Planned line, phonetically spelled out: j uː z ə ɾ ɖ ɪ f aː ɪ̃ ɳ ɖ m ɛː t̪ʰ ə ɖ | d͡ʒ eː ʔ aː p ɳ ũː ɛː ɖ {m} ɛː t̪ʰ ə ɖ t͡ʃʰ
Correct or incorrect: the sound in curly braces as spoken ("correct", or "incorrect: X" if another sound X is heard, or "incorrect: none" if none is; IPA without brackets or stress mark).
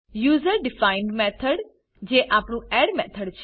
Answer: correct